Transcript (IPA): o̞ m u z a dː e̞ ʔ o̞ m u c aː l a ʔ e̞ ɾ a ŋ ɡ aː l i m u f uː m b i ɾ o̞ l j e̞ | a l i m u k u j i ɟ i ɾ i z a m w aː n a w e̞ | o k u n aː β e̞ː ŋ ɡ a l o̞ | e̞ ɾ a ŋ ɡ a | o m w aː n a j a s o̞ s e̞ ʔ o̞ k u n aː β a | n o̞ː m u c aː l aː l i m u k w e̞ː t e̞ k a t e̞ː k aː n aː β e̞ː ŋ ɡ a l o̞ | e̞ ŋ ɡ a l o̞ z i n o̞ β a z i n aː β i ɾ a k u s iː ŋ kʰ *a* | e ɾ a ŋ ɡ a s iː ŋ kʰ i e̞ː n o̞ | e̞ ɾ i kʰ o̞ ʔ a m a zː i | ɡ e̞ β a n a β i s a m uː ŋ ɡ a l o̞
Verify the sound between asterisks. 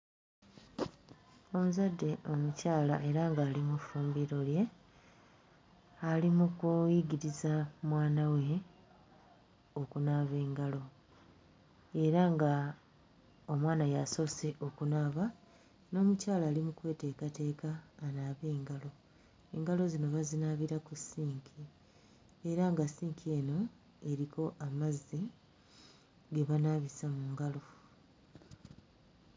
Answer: incorrect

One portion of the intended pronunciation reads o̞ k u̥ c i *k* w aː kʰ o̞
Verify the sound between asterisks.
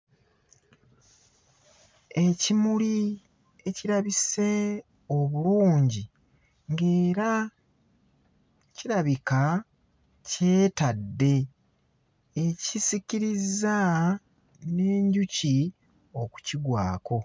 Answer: incorrect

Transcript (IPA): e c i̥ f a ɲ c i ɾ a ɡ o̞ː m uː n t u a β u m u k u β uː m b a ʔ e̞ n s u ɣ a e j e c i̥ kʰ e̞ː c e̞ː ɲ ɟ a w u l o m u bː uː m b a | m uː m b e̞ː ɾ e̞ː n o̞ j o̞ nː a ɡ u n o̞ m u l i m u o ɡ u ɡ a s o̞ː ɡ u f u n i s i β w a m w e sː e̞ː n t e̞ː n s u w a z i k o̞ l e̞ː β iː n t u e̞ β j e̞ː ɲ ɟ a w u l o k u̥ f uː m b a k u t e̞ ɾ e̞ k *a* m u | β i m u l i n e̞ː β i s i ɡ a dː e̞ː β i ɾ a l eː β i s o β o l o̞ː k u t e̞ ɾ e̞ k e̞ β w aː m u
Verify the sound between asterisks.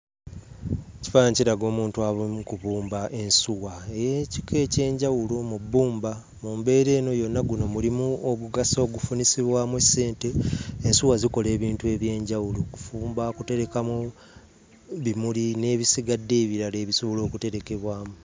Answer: correct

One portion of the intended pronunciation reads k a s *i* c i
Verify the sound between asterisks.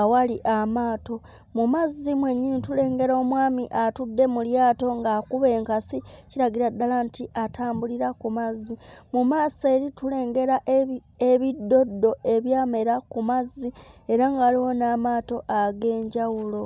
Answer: correct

